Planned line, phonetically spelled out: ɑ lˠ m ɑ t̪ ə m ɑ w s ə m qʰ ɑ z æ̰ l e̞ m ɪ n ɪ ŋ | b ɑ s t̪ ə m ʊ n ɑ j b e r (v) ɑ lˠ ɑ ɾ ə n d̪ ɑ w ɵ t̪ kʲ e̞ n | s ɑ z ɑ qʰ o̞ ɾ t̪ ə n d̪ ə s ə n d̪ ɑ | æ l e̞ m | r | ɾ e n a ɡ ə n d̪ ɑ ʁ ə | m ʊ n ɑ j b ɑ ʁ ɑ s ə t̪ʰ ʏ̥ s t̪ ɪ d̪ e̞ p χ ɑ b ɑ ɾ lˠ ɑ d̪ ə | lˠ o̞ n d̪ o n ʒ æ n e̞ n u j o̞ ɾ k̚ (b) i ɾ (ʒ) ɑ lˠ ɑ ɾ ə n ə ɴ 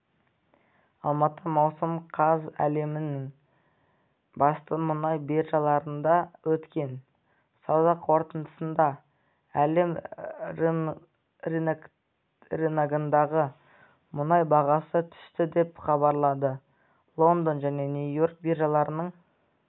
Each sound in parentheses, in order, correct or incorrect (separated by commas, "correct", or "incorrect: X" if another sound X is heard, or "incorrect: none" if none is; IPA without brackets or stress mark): incorrect: ʒ, correct, correct